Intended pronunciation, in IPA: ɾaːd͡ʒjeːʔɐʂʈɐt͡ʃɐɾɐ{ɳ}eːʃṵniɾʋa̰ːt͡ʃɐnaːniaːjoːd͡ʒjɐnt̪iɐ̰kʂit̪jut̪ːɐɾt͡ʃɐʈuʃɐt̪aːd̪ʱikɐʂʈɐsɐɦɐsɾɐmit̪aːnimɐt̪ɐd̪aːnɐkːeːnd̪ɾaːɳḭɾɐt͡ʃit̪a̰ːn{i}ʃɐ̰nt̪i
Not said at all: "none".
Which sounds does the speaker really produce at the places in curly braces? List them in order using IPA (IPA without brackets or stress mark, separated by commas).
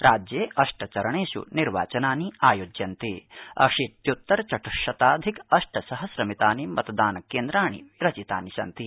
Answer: ɳ, i